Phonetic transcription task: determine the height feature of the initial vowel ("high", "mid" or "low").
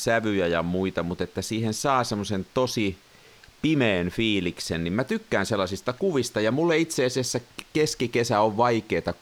low